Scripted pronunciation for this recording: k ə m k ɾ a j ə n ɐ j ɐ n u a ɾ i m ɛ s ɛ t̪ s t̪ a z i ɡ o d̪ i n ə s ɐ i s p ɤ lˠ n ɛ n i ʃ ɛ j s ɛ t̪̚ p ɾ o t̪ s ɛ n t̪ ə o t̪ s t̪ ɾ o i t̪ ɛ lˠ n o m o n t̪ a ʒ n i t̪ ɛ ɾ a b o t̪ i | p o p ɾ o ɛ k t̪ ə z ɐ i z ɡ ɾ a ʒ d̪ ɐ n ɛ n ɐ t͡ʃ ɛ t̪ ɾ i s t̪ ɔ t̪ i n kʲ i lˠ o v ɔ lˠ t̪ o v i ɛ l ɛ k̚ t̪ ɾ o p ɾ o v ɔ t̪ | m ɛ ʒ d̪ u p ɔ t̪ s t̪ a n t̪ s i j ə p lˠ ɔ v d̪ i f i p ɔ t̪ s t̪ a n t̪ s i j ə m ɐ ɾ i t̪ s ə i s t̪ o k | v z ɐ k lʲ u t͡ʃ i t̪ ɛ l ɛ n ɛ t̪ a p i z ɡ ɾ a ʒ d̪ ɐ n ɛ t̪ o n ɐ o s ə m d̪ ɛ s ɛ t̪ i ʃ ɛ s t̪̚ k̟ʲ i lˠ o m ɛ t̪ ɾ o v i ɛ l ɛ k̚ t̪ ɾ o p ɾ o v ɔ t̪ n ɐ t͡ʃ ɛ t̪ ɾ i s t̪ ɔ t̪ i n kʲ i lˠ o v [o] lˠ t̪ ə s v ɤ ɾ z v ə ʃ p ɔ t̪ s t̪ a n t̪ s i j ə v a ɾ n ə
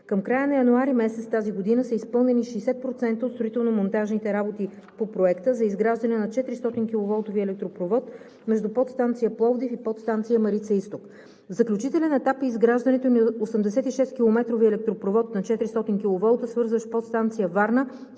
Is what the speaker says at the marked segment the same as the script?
no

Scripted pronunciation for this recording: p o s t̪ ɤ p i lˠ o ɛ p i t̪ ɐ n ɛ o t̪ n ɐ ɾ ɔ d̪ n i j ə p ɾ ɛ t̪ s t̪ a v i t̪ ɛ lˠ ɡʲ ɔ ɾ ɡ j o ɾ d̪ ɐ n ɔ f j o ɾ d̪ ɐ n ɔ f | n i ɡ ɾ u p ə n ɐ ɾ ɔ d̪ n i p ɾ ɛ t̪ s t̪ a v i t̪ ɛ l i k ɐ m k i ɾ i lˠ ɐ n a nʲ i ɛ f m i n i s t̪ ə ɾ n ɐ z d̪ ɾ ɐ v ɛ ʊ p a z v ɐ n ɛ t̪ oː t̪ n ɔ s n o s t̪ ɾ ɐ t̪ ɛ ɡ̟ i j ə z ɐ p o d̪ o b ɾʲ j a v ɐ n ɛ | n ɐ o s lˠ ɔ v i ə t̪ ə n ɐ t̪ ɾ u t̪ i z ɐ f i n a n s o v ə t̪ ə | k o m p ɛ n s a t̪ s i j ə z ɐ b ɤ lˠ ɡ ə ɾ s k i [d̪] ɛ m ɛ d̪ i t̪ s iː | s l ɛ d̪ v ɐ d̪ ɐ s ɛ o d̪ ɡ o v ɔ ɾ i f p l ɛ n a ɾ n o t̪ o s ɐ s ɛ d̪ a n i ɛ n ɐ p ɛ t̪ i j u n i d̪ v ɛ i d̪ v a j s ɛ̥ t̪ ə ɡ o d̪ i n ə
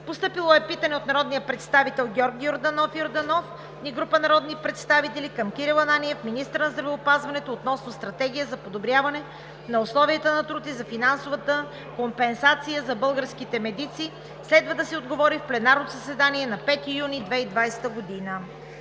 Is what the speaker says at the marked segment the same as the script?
no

